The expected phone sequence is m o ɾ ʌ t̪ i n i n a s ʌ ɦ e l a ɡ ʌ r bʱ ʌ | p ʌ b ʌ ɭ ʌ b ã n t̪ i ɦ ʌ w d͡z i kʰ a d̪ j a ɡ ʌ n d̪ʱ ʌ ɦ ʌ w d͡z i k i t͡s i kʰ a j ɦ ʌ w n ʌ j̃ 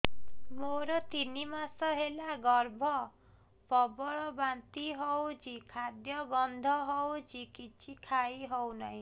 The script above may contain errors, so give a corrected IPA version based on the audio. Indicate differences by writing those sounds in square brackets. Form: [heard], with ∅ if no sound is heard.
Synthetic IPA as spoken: m o ɾ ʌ t̪ i n i [m] a s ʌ ɦ e l a ɡ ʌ r bʱ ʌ | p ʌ b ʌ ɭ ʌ b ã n t̪ i ɦ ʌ w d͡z i kʰ a d̪ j [ʌ] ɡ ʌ n d̪ʱ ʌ ɦ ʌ w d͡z i k i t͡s i kʰ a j ɦ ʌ w n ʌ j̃